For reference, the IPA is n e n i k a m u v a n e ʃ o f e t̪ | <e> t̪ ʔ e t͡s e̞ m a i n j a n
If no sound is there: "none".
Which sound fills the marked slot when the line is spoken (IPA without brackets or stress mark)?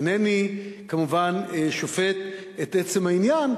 e